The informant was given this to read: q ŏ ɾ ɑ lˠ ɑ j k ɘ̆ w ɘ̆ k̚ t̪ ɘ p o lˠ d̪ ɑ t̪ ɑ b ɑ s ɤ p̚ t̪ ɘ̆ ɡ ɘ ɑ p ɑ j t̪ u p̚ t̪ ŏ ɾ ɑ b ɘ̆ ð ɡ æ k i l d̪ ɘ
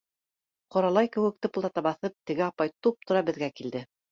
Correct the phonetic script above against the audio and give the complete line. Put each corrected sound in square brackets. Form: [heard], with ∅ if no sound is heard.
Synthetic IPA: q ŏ ɾ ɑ lˠ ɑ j k ɘ̆ w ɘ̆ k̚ t̪ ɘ p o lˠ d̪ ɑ t̪ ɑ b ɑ [θ] ɤ p̚ t̪ ɘ̆ ɡ ɘ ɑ p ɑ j t̪ u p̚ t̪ ŏ ɾ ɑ b ɘ̆ ð ɡ æ k i l d̪ ɘ